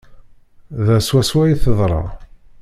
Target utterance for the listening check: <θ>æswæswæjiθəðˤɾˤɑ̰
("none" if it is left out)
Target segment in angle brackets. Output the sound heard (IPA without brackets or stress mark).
ð